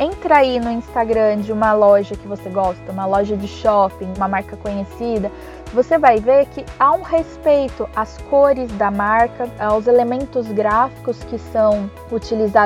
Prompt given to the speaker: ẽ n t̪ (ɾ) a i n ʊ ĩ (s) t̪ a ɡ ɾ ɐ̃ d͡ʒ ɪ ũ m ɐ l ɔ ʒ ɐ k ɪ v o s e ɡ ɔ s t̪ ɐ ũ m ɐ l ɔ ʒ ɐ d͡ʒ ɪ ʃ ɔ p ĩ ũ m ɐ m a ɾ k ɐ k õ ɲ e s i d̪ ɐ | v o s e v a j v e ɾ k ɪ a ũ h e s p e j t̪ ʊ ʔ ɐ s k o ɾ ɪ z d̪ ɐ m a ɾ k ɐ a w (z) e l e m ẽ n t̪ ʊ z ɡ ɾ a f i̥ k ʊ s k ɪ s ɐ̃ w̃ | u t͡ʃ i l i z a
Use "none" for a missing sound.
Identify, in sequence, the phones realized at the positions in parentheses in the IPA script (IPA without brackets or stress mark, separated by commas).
ɾ, s, z